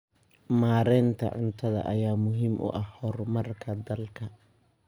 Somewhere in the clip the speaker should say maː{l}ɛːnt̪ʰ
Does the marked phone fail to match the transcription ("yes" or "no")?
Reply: yes